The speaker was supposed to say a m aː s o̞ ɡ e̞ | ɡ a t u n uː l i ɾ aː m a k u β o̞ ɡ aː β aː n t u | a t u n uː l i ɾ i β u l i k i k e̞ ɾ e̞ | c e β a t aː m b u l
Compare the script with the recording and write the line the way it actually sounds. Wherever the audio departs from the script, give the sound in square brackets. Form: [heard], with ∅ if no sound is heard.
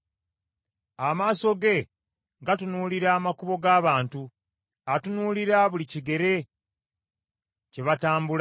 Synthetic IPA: a m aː s o̞ ɡ e̞ | ɡ a t u n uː l i ɾ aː m a k u β o̞ ɡ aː β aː n t u | a t u n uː l i ɾ [a] β u l i [c] i [ɡ] e̞ ɾ e̞ | c e β a t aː m b u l